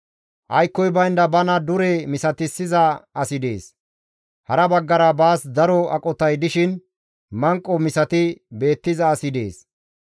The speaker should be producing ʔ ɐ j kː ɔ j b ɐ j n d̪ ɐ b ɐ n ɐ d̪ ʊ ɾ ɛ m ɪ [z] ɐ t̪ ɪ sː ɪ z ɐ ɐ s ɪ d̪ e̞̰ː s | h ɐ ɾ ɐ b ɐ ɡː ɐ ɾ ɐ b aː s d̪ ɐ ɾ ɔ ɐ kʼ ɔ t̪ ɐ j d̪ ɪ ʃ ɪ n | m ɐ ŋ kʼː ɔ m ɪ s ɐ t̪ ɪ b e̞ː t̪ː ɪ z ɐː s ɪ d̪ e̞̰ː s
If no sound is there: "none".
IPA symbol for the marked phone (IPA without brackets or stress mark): s